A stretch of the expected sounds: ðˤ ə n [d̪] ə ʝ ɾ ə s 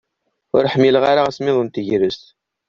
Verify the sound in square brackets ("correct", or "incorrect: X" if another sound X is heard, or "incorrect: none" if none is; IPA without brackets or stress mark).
incorrect: t̪